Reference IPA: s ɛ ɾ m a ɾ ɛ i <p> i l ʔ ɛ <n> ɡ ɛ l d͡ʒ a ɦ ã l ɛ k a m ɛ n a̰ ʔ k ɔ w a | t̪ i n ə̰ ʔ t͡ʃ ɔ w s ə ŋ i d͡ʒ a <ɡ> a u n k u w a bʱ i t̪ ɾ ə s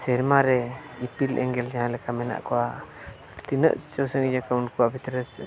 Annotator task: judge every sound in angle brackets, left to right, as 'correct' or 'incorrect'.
correct, incorrect, incorrect

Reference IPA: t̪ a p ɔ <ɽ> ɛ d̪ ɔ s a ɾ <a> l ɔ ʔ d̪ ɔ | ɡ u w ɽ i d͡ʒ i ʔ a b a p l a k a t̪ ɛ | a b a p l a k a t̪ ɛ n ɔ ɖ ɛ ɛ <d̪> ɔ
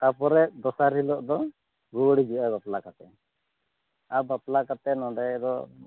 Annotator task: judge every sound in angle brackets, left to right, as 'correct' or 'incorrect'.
incorrect, incorrect, correct

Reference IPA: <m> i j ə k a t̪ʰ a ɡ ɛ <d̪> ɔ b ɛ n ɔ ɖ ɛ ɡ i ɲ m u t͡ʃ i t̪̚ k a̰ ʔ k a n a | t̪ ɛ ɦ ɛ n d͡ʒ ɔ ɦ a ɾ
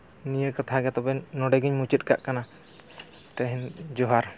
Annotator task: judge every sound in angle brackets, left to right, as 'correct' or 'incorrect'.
incorrect, incorrect

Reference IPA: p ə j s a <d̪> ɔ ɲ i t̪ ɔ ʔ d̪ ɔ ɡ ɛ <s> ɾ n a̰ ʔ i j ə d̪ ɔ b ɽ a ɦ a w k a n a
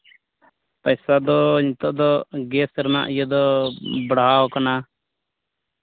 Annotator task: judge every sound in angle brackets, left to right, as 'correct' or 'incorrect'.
correct, correct

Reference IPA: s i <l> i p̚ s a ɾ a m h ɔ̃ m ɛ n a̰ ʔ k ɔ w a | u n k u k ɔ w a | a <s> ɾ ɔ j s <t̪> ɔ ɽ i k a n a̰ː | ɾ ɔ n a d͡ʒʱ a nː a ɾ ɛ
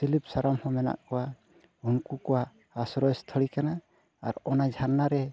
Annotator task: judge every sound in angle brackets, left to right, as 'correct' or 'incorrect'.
correct, correct, incorrect

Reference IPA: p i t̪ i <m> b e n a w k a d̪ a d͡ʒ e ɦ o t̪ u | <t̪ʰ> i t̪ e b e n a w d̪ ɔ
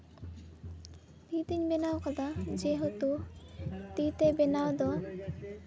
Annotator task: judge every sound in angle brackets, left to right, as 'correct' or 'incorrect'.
incorrect, incorrect

